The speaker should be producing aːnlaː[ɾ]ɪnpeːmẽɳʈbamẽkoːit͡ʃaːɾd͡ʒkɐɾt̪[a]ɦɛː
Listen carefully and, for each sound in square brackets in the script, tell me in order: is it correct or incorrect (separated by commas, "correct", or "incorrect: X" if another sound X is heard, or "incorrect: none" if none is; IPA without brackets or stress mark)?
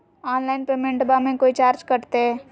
incorrect: none, incorrect: e